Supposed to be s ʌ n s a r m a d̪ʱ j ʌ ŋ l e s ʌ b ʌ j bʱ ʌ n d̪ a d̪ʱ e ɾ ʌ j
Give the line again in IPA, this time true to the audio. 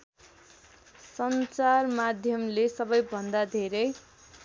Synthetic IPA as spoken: s ʌ n t͡s a r m a d̪ʱ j ʌ m l e s ʌ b ʌ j bʱ ʌ n d̪ a d̪ʱ e ɾ ʌ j